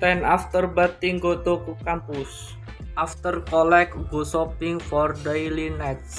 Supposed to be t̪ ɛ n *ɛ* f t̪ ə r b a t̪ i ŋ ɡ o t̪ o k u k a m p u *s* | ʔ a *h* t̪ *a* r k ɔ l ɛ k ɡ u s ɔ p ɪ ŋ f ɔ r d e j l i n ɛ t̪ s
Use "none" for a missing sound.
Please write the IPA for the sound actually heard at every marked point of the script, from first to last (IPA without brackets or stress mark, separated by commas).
a, s, f, ə